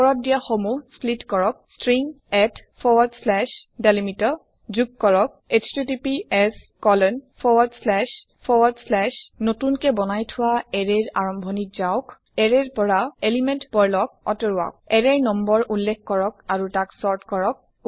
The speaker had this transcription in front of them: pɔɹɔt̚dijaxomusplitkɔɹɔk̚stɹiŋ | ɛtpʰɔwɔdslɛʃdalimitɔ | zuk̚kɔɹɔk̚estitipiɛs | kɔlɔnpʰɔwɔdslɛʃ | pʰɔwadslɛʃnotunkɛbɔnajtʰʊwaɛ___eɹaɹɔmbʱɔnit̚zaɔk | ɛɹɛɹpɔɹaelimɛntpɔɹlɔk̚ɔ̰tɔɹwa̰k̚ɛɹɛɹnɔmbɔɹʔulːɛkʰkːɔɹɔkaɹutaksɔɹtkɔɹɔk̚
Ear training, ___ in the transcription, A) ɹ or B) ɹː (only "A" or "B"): A